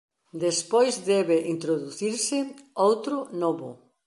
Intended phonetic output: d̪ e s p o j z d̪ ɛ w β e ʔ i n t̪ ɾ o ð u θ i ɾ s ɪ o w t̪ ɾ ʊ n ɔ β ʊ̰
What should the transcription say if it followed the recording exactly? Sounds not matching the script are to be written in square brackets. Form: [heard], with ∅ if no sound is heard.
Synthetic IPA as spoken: d̪ e s p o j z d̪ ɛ [∅] β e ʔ i n t̪ ɾ o ð u θ i ɾ s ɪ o w t̪ ɾ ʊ n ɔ β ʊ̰